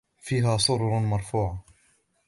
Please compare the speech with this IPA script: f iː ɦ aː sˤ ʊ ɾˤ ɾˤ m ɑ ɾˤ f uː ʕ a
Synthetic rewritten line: f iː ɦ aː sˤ ʊ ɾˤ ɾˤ m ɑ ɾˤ f uː ʕ a